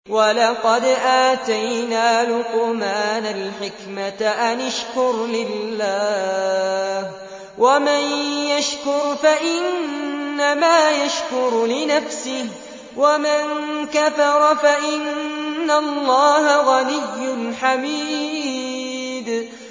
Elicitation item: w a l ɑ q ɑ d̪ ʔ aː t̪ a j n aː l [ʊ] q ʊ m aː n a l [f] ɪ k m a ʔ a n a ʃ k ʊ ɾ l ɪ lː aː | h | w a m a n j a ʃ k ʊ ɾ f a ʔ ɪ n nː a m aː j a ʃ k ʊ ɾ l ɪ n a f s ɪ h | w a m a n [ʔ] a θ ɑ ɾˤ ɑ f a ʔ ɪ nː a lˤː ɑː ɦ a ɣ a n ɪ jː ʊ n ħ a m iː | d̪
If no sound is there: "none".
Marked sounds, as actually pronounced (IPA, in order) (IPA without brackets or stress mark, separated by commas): ʊ, ħ, k